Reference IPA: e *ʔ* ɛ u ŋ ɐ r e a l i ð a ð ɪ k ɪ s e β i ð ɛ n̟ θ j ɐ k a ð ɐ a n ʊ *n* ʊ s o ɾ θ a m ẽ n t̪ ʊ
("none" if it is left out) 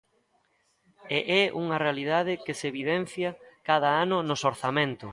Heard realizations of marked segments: ʔ, n

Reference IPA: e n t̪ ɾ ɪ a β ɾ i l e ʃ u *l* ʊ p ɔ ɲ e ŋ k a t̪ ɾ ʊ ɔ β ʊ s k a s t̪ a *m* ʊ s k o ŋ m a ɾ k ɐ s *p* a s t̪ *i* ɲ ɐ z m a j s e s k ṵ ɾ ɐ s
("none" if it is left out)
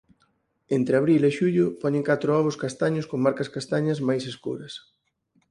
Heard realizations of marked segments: ʎ, ɲ, k, a

